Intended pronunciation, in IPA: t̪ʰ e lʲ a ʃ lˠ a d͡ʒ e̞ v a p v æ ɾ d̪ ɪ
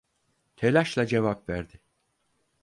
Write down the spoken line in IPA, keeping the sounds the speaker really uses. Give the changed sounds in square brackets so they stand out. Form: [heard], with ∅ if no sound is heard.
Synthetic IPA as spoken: t̪ʰ e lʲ a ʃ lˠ a d͡ʒ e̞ v a p v æ ɾ d̪ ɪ